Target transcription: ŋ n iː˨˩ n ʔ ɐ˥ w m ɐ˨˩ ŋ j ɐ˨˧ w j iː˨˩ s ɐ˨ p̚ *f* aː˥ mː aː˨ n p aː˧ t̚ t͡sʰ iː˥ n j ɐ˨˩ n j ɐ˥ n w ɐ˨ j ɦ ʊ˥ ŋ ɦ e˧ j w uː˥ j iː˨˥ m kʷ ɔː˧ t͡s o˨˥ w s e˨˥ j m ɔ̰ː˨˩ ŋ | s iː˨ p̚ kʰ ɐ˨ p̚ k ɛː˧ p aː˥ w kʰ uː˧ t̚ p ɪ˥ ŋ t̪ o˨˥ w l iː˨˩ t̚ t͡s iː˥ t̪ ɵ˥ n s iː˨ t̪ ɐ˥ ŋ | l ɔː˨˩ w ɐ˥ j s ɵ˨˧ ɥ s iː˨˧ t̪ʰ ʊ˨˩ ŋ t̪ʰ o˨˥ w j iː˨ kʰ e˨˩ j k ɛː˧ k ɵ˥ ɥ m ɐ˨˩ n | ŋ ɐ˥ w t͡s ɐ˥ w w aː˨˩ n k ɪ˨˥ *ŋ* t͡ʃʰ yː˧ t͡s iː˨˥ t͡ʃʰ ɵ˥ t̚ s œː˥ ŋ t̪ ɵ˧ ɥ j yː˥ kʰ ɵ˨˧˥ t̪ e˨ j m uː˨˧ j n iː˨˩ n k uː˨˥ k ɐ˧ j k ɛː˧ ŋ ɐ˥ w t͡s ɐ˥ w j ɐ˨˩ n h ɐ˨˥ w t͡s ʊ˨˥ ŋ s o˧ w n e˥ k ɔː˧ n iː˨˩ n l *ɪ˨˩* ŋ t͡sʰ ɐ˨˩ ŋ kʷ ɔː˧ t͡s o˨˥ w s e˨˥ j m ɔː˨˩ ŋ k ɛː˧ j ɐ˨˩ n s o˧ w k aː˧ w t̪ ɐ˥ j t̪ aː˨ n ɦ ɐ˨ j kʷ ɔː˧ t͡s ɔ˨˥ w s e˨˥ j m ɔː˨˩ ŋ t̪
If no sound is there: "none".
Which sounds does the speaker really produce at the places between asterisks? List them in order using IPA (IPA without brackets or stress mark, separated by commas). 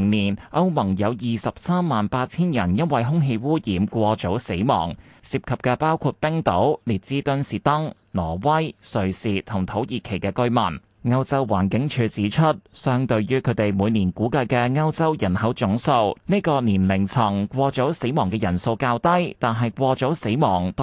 s, ŋ, ɪ˨˩